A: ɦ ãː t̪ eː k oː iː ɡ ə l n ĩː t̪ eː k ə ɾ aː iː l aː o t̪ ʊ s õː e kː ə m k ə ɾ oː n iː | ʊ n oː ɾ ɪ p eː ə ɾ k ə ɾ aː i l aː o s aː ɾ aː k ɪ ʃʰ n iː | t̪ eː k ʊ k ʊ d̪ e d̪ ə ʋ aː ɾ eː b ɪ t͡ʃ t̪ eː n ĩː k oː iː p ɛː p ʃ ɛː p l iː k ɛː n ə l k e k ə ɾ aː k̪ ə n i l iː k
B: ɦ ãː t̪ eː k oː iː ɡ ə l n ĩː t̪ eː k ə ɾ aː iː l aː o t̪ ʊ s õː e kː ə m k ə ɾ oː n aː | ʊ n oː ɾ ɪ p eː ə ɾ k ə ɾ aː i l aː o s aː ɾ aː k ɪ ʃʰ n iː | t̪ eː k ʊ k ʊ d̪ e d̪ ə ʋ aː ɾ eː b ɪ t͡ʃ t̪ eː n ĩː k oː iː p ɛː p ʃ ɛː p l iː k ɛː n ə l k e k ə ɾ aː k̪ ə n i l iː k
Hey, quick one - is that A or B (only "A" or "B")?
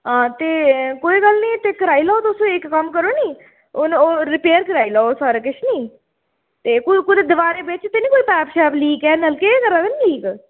A